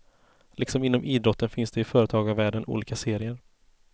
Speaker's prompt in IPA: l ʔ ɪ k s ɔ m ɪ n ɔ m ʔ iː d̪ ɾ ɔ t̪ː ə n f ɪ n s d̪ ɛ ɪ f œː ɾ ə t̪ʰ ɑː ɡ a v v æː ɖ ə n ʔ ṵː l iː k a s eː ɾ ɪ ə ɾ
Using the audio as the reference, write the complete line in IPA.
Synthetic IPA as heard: l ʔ ɪ k s ɔ m ɪ nː ɔ m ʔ iː d̪ ɾ ɔ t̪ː ə n f ɪ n s d̪ ɛ ɪ f œː ɾ ə t̪ʰ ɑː ɡ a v v æː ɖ ə n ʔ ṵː l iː k a s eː ɾ ɪ ə ɾ